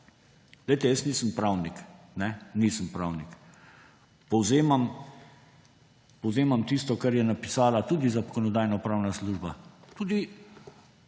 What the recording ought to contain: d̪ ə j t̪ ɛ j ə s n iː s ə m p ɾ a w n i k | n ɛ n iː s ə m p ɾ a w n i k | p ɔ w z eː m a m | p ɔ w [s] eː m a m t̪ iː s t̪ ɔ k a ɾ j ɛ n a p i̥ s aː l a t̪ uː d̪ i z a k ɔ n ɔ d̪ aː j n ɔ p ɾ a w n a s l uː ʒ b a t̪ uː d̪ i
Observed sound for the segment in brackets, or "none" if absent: z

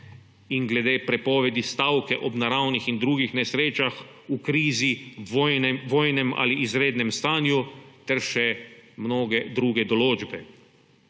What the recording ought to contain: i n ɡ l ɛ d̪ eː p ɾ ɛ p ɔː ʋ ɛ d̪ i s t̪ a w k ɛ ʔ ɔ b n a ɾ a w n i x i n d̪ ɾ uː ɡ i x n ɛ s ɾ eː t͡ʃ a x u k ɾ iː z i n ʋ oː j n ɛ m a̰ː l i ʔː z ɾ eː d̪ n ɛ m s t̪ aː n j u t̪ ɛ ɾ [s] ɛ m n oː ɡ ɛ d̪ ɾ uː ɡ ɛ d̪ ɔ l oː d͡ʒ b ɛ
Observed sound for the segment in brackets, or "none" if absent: ʃ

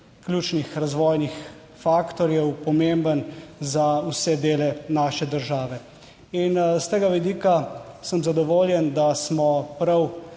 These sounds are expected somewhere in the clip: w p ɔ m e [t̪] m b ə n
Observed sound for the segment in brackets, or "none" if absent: none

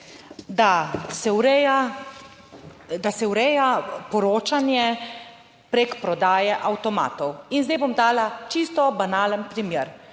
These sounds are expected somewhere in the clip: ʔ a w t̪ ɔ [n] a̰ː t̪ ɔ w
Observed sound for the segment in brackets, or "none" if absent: m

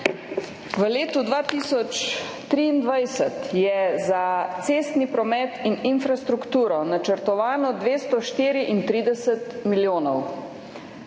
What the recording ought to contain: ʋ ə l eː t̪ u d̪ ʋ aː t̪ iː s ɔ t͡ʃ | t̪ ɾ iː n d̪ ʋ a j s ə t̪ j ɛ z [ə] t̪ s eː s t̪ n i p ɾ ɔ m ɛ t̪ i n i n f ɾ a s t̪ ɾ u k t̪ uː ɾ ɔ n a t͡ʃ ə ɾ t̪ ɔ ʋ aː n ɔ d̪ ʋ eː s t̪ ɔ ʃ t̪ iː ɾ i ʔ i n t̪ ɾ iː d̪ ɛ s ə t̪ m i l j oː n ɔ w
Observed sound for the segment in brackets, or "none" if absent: a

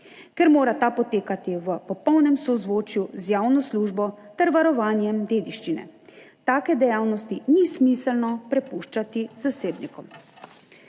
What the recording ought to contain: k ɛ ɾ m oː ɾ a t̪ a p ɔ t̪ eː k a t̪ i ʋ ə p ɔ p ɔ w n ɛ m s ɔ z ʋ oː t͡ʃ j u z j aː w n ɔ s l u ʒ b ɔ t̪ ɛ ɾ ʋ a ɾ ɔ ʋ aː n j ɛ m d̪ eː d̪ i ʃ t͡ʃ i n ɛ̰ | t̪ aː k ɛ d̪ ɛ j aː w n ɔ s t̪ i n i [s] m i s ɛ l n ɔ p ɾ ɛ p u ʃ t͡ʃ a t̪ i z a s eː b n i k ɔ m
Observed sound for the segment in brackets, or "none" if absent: s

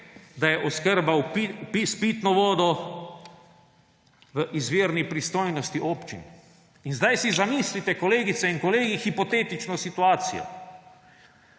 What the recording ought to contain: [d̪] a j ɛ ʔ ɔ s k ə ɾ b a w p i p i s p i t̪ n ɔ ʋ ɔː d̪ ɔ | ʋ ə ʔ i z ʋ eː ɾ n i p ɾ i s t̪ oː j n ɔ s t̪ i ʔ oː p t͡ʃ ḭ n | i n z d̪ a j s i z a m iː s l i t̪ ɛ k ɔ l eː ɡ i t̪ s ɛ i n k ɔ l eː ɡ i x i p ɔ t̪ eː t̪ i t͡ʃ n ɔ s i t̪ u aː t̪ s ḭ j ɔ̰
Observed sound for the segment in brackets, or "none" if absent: d̪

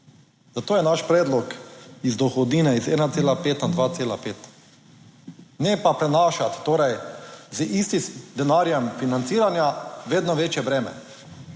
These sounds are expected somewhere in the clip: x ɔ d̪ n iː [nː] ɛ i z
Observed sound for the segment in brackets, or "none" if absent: n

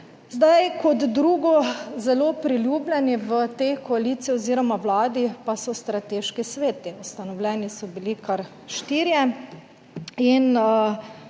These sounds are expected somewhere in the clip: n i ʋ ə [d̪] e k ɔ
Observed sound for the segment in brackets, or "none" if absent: t̪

